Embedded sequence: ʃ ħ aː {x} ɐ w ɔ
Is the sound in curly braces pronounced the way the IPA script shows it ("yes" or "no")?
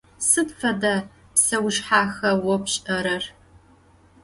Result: yes